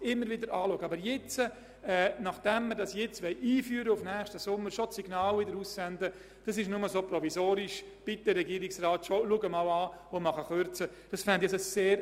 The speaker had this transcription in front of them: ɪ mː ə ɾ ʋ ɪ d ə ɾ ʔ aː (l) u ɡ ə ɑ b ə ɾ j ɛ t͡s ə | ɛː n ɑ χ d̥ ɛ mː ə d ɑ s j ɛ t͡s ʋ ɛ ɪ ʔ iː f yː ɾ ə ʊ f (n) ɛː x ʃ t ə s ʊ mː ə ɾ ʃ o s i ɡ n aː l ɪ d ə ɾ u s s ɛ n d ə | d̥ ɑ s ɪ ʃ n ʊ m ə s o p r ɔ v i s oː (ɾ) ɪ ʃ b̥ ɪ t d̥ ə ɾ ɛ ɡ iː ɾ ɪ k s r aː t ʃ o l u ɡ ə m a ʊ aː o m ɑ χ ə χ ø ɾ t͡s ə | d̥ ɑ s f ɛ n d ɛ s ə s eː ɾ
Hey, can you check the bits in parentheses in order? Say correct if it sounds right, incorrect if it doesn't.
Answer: correct, correct, correct

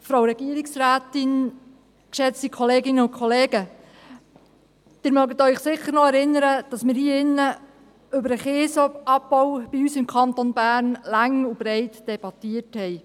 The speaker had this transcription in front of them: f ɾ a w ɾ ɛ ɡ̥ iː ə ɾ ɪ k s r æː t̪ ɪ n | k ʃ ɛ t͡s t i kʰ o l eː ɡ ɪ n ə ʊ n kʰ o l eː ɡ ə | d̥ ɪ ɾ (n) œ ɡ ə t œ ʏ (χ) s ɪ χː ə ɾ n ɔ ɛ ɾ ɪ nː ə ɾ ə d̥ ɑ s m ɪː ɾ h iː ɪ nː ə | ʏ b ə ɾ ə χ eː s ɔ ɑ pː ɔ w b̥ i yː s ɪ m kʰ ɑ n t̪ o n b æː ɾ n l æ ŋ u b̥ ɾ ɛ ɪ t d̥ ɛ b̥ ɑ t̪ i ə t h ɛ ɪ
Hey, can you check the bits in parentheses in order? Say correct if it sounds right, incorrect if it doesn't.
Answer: incorrect: m, correct

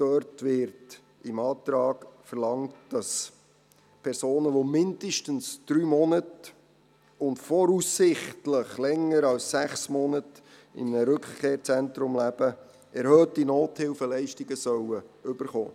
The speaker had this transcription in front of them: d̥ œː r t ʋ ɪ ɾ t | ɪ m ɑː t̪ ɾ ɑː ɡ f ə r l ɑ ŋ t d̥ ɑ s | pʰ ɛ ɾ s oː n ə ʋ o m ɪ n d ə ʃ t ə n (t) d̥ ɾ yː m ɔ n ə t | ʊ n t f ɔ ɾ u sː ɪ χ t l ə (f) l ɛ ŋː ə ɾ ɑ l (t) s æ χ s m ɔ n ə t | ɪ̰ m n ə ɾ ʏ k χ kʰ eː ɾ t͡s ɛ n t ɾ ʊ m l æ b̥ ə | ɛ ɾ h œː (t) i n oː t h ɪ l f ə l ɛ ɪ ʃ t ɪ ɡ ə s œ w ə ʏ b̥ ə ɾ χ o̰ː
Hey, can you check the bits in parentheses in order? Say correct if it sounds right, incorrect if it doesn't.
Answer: incorrect: s, incorrect: χ, incorrect: s, correct

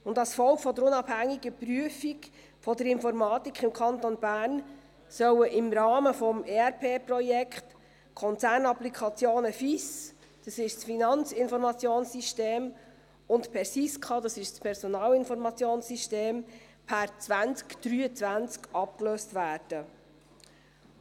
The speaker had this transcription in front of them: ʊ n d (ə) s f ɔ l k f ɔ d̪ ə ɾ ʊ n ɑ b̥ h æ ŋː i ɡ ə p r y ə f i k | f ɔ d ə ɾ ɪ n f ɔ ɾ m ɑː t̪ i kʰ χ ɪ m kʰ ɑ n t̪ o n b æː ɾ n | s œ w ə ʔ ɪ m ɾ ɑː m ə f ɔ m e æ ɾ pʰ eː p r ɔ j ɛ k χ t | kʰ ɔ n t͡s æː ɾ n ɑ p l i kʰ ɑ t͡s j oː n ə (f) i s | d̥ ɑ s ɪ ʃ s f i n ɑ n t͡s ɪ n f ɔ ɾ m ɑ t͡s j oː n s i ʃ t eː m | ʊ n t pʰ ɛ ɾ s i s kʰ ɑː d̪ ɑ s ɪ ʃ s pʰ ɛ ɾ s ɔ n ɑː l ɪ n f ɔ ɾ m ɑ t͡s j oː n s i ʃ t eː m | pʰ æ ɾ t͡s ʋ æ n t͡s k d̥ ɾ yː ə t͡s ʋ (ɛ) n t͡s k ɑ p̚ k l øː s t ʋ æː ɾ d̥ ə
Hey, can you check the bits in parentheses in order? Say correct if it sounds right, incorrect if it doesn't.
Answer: incorrect: ɑ, correct, incorrect: æ

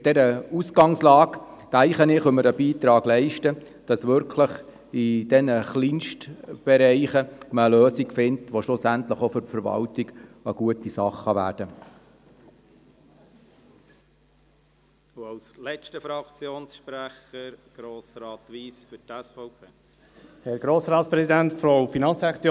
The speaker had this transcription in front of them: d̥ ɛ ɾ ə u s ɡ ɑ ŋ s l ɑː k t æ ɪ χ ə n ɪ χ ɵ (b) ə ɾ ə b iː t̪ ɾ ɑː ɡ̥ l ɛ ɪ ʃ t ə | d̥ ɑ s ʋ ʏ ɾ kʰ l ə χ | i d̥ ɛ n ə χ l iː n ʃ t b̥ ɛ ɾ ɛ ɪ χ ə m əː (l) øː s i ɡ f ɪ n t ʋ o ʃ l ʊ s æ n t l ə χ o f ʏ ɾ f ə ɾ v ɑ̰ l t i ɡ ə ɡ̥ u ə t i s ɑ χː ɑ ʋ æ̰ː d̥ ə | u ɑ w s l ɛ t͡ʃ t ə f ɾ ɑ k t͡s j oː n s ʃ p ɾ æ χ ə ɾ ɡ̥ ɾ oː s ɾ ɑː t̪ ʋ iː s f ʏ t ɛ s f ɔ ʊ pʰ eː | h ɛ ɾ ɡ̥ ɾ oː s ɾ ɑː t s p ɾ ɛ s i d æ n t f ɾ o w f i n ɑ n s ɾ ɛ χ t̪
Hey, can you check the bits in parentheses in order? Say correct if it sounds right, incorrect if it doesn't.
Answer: incorrect: m, correct

